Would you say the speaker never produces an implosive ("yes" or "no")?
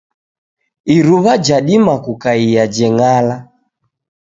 no